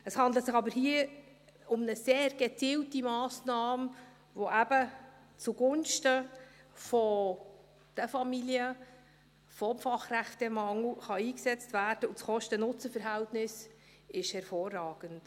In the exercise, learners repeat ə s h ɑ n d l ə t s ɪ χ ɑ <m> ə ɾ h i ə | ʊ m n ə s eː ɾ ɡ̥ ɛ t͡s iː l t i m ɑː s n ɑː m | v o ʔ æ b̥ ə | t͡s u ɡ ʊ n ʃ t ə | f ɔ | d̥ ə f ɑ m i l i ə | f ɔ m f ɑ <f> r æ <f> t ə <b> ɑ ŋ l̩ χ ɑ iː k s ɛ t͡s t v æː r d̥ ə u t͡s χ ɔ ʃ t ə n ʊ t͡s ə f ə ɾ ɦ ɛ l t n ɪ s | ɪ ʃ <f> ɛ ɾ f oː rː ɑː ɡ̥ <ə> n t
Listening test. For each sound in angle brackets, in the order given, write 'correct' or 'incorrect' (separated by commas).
incorrect, incorrect, incorrect, incorrect, incorrect, correct